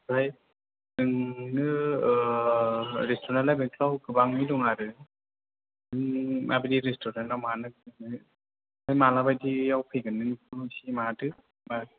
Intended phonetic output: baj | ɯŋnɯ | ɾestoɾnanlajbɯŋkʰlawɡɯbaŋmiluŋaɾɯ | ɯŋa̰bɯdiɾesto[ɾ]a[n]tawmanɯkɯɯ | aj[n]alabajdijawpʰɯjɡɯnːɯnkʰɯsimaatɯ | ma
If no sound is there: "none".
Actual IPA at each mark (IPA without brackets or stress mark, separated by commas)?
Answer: ɾ, n, m